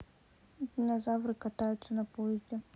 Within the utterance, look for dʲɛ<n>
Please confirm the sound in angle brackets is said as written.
no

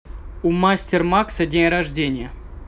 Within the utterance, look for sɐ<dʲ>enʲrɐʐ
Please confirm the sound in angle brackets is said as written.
yes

